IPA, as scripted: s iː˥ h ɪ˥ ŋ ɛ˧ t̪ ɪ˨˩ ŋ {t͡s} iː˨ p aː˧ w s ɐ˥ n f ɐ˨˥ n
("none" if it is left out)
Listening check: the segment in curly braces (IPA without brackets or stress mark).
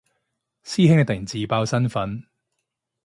t͡s